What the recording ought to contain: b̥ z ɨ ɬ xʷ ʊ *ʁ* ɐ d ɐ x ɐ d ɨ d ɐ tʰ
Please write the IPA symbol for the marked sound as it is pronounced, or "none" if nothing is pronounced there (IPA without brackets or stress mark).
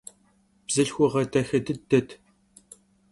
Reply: ʁ